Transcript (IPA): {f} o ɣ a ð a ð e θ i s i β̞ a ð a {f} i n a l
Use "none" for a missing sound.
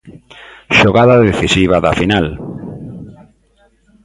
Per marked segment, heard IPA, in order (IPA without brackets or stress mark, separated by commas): ʃ, f